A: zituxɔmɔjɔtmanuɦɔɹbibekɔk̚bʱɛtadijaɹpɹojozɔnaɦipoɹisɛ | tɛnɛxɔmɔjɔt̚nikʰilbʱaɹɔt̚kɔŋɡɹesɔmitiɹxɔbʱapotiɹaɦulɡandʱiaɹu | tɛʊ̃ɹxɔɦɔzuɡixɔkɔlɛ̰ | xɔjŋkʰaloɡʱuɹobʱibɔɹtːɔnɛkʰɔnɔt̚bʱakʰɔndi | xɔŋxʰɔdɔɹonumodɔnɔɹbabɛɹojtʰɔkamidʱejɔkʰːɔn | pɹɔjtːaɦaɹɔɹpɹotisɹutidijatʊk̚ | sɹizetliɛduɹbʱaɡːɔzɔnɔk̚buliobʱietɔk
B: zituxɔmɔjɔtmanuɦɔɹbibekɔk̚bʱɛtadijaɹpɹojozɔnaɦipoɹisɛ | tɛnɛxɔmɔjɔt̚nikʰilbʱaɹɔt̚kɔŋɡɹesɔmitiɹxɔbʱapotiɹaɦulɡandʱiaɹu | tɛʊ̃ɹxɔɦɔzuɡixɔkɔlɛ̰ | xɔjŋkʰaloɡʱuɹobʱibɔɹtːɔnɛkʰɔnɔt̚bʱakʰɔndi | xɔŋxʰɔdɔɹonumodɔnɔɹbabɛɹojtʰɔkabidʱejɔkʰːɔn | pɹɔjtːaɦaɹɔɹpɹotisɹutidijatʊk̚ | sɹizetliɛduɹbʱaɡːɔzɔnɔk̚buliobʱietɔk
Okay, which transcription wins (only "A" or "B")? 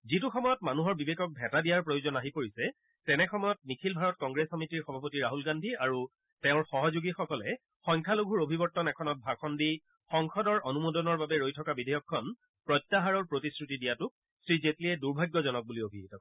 B